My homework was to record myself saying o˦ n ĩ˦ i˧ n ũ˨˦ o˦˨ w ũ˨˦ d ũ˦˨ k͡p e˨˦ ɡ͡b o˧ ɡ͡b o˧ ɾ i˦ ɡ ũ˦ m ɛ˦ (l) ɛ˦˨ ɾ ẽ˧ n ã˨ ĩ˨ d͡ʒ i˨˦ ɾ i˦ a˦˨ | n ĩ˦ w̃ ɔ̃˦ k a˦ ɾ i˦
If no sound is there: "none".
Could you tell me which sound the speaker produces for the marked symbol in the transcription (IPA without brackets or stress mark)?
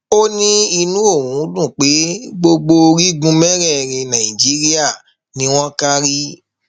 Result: ɾ